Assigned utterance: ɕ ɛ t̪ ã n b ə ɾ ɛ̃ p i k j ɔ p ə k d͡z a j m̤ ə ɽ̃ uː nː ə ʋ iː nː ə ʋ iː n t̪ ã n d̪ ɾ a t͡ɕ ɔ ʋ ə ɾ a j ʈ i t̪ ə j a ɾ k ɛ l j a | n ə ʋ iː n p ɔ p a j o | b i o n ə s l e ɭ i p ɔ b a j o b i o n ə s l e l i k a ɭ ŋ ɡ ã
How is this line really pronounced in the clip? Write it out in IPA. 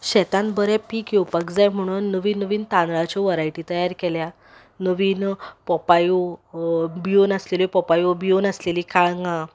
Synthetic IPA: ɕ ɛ t̪ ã n b ə ɾ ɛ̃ p i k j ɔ p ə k d͡z a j m̤ ə ɽ̃ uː nː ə ʋ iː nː ə ʋ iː n t̪ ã n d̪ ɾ a t͡ɕ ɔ ʋ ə ɾ a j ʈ i t̪ ə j a ɾ k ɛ l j a | n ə ʋ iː n p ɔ p a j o | b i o n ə s l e l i p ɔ p a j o b i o n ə s l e l i k a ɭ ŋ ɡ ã